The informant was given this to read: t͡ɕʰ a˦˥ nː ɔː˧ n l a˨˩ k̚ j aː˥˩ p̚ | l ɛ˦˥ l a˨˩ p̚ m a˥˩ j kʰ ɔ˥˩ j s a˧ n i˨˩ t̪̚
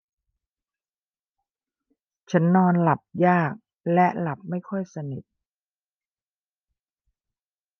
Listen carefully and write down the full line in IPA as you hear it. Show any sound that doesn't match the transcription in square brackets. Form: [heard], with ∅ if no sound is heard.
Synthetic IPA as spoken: t͡ɕʰ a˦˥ nː ɔː˧ n l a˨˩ [p̚] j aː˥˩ [k̚] | l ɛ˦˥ l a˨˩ p̚ m a˥˩ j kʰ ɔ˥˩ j s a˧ n i˨˩ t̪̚